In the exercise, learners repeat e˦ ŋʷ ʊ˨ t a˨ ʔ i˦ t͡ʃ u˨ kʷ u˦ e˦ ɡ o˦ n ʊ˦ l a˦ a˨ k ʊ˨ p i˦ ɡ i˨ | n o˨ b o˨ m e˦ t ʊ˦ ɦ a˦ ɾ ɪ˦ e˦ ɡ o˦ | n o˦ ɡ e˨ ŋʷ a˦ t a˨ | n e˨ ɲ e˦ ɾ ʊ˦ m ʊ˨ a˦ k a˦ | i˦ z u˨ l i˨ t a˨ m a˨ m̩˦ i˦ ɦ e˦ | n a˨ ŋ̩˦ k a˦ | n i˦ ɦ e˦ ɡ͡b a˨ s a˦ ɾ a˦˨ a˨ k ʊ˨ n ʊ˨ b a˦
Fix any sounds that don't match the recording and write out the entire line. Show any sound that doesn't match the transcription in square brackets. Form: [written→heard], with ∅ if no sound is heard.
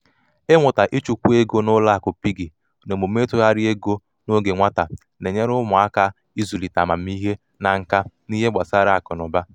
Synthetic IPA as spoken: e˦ ŋʷ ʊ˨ t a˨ ʔ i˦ t͡ʃ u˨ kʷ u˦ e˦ ɡ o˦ n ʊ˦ l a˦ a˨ k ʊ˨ p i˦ ɡ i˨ | n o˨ [b→m] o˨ m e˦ t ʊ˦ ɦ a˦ ɾ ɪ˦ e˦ ɡ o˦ | n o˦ ɡ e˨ ŋʷ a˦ t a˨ | n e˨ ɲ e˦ ɾ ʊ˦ m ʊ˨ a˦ k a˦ | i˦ z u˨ l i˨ t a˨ m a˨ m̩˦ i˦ ɦ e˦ | n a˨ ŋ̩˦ k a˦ | n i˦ ɦ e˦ ɡ͡b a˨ s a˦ ɾ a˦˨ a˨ k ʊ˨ n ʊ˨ b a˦

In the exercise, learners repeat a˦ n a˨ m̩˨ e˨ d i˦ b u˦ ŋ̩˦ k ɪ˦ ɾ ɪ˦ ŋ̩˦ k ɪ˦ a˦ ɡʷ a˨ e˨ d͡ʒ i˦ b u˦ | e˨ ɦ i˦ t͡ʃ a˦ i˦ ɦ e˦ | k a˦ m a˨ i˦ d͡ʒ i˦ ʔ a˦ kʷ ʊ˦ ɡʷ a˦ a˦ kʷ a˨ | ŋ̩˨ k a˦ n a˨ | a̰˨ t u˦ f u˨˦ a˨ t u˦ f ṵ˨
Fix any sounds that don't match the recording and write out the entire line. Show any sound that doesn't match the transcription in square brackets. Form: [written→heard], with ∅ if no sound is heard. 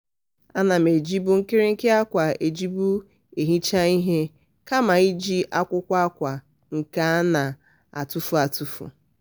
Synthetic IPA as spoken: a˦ n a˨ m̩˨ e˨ [d→d͡ʒ] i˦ b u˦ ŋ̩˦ k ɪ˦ ɾ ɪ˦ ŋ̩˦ k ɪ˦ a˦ [ɡʷ→kʷ] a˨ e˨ d͡ʒ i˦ b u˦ | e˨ ɦ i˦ t͡ʃ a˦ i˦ ɦ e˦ | k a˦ m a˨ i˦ d͡ʒ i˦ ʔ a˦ kʷ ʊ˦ [ɡʷ→kʷ] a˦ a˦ kʷ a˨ | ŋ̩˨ k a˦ n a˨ | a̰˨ t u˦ f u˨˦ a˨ t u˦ f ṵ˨

